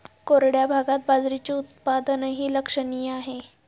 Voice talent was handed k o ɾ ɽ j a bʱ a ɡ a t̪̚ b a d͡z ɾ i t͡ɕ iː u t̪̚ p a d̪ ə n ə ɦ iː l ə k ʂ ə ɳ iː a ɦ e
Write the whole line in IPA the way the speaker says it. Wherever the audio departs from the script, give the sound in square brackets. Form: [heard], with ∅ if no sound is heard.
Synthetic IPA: k o ɾ ɽ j a bʱ a ɡ a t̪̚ b a d͡z ɾ i t͡ɕ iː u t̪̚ p a d̪ ə n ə ɦ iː l ə k ʂ ə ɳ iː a ɦ e